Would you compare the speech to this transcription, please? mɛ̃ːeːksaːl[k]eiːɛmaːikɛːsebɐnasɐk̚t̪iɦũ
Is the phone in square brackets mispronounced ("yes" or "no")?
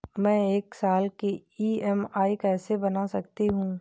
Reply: no